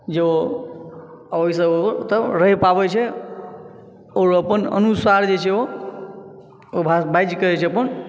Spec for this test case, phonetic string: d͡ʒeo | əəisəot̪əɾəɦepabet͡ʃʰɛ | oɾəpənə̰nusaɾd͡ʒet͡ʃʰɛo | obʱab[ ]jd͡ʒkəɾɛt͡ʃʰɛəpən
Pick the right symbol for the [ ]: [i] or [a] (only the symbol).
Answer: a